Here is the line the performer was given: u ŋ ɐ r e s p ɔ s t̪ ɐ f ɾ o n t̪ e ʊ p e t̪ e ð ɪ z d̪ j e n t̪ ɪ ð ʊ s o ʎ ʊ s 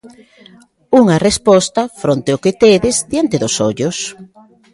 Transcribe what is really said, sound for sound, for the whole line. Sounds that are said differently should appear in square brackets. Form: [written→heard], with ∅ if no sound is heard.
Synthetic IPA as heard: u ŋ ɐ r e s p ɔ s t̪ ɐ f ɾ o n t̪ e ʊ [p→k] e t̪ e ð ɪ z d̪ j [e→a] n t̪ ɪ ð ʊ s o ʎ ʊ s